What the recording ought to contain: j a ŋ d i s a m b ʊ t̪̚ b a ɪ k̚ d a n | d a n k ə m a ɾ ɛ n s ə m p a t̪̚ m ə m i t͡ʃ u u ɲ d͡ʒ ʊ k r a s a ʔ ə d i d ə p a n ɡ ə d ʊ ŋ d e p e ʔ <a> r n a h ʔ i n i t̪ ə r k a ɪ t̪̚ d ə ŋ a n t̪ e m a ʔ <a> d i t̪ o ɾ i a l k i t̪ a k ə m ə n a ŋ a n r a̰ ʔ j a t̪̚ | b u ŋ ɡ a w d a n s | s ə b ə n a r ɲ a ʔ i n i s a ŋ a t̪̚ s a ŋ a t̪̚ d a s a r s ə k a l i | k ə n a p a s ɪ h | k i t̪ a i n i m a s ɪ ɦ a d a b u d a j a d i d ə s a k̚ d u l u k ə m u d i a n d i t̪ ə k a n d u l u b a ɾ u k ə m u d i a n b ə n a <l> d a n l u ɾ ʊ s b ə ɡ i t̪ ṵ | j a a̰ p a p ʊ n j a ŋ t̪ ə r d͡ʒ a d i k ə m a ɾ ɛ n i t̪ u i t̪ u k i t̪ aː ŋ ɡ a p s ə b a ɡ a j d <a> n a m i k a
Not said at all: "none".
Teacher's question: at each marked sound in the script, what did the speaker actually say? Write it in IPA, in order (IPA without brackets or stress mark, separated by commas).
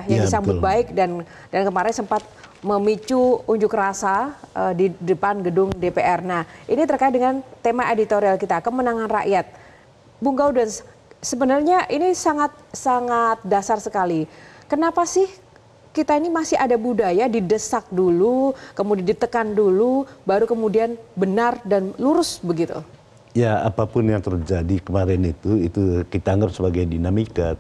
ɛ, e, r, i